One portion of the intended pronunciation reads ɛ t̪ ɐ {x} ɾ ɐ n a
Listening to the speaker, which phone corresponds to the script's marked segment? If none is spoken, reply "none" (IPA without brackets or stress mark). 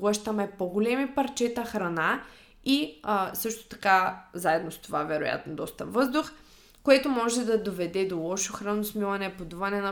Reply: x